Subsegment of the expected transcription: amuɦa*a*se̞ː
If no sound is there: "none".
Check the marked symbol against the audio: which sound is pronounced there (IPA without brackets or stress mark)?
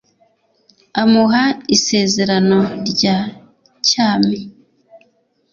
i